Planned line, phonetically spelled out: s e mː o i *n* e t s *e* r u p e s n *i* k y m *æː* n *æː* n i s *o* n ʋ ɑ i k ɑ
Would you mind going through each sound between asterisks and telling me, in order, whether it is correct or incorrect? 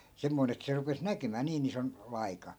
correct, correct, incorrect, correct, incorrect, correct

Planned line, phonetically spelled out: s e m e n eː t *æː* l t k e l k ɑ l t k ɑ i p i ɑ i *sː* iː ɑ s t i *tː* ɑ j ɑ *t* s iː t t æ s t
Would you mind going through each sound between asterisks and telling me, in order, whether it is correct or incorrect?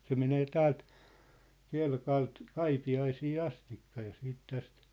correct, incorrect, incorrect, incorrect

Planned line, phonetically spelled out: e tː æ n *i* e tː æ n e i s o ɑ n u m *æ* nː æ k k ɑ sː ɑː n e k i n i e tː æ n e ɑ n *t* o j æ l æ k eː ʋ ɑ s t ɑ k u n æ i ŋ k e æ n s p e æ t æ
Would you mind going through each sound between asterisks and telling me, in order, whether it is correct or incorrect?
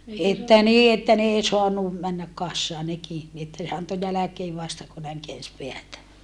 incorrect, correct, correct

